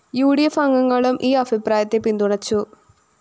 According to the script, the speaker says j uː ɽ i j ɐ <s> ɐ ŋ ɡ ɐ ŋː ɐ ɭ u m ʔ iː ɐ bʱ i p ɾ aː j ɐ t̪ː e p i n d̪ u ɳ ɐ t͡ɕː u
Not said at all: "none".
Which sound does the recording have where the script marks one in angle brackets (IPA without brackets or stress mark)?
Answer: f